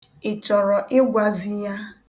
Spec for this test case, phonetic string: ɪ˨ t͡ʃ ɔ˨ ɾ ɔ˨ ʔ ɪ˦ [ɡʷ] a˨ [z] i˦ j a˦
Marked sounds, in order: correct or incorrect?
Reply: correct, correct

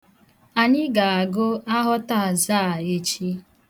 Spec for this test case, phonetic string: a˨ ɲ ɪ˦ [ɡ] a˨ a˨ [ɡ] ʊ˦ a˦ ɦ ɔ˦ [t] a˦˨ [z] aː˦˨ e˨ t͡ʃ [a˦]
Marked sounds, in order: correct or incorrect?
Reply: correct, correct, correct, correct, incorrect: i˦

